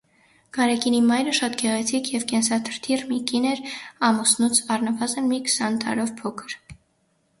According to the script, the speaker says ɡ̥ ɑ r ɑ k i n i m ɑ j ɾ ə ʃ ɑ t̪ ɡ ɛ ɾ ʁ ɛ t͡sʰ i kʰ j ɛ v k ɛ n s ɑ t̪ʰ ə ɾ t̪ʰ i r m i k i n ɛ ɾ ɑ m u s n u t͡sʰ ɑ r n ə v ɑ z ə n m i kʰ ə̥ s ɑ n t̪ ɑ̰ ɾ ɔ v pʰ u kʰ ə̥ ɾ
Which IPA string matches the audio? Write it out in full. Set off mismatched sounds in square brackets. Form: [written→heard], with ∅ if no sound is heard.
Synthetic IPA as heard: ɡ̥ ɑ [r→ɾ] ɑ k i n i m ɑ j ɾ ə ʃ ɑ t̪ ɡ ɛ [ɾ→∅] ʁ ɛ t͡sʰ i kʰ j ɛ v k ɛ n s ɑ t̪ʰ ə ɾ t̪ʰ i r m i k i n ɛ ɾ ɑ m u s n u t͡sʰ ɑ r n ə v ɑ z ə n m i kʰ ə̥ s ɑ n t̪ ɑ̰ ɾ ɔ v pʰ [u→ɔ] kʰ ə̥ ɾ

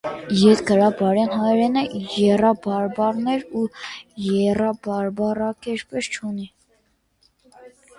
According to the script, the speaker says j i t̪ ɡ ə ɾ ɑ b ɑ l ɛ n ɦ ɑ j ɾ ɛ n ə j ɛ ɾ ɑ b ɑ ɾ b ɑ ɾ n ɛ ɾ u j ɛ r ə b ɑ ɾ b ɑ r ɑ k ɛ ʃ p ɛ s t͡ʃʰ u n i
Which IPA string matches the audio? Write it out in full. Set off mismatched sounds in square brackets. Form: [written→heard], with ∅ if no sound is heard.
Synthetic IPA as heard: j [i→ɛ] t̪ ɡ ə ɾ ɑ b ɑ [l→ɾ] ɛ n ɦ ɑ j ɾ ɛ n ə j ɛ [ɾ→r] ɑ b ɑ ɾ b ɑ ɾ n ɛ ɾ u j ɛ r [ə→ɑ] b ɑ ɾ b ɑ r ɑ k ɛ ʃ p ɛ s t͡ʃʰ u n i

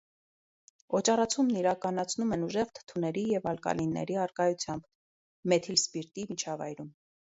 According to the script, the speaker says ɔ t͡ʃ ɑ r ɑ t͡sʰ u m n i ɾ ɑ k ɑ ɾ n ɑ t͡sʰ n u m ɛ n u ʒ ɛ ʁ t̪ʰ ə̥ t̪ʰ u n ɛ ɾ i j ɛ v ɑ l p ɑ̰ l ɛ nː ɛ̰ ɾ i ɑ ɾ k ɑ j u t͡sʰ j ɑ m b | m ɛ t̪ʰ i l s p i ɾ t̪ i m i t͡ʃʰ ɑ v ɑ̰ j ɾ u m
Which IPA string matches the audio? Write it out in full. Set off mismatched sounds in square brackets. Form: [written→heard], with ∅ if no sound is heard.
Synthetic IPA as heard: ɔ t͡ʃ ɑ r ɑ t͡sʰ u m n i ɾ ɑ k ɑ [ɾ→∅] n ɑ t͡sʰ n u m ɛ n u ʒ ɛ ʁ t̪ʰ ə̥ t̪ʰ u n ɛ ɾ i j ɛ v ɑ l [p→k] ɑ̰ l [ɛ→i] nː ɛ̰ ɾ i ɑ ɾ k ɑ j u t͡sʰ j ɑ m b | m ɛ t̪ʰ i l s p i ɾ t̪ i m i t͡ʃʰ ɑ v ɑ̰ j ɾ u m

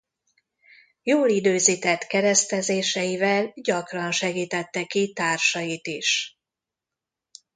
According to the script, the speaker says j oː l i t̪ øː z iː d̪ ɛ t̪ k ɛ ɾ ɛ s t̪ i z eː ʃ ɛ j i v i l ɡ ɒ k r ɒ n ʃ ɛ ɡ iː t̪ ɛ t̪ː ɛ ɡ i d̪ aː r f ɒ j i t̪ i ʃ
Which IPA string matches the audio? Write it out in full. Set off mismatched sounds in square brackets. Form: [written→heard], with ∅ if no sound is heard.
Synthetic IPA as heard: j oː l i [t̪→d̪] øː z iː [d̪→t̪] ɛ t̪ k ɛ ɾ ɛ s t̪ [i→ɛ] z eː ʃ ɛ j i v [i→ɛ] l [ɡ→ɟ] ɒ k r ɒ n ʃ ɛ ɡ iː t̪ ɛ t̪ː ɛ [ɡ→k] i [d̪→t̪] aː r [f→ʃ] ɒ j i t̪ i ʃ

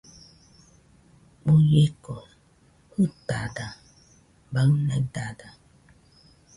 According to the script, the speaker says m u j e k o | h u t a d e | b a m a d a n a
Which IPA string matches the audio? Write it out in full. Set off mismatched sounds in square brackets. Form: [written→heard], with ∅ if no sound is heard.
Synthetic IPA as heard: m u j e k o | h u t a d [e→a] | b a [m→n] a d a [n→d] a

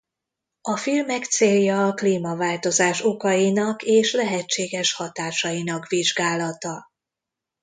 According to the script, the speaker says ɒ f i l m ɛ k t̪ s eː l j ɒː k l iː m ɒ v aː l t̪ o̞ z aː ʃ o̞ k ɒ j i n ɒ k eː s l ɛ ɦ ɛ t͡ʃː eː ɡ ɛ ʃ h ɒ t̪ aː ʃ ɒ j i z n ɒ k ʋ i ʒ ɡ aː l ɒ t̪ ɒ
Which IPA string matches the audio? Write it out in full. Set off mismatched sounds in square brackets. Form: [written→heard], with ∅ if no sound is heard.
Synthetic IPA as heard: ɒ f i l m ɛ k t̪ s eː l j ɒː k l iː m ɒ v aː l t̪ o̞ z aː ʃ o̞ k ɒ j i n ɒ k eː [s→ʃ] l ɛ ɦ ɛ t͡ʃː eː ɡ ɛ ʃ h ɒ t̪ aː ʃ ɒ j i [z→∅] n ɒ k ʋ i ʒ ɡ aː l ɒ t̪ ɒ

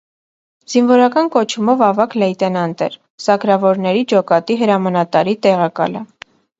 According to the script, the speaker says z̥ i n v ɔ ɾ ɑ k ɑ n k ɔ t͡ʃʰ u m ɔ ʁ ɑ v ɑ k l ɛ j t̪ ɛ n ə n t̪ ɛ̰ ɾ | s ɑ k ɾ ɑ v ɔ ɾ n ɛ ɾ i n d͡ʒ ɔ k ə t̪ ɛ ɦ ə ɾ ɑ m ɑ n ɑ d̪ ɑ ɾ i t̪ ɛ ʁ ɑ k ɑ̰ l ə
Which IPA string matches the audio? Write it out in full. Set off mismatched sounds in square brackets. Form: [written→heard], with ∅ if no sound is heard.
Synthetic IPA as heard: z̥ i n v ɔ ɾ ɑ k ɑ n k ɔ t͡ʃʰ u m ɔ [ʁ→v] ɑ v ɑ k l ɛ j t̪ ɛ n [ə→ɑ] n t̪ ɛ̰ ɾ | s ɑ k ɾ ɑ v ɔ ɾ n ɛ ɾ i [n→∅] d͡ʒ ɔ k [ə→ɑ] t̪ [ɛ→i] ɦ ə ɾ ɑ m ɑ n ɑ [d̪→t̪] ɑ ɾ i t̪ ɛ ʁ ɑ k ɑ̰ l ə

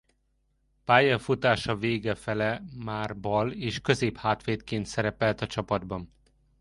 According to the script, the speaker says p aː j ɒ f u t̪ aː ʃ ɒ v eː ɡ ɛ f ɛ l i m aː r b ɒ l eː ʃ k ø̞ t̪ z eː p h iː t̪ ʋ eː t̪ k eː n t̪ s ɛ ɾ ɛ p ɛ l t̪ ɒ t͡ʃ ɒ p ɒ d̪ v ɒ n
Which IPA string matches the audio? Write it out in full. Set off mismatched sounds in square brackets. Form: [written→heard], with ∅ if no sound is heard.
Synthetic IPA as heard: p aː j ɒ f u t̪ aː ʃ ɒ v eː ɡ ɛ f ɛ l [i→ɛ] m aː r b ɒ l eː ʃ k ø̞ [t̪→∅] z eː p h [iː→aː] t̪ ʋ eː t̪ k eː n t̪ s ɛ ɾ ɛ p ɛ l t̪ ɒ t͡ʃ ɒ p ɒ d̪ [v→b] ɒ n

